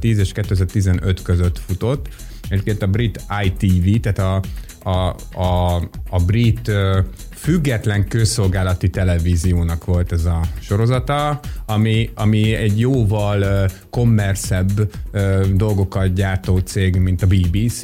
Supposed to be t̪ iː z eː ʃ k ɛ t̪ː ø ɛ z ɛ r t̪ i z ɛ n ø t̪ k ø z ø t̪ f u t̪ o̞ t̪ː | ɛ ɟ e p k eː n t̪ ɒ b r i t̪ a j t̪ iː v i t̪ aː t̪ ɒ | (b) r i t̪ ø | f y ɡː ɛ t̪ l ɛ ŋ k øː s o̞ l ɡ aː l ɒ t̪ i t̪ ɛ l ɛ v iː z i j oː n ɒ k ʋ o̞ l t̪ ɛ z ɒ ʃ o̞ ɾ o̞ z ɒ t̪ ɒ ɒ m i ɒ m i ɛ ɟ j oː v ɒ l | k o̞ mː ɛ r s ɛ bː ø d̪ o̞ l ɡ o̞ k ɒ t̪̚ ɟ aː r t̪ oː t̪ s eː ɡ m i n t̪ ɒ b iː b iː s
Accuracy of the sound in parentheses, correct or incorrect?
correct